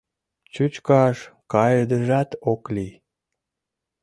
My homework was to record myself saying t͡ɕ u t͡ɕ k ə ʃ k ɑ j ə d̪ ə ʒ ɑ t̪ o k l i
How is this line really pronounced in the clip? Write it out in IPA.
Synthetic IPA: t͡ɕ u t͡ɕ k ɑ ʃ k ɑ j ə d̪ ə ʒ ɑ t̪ o k l i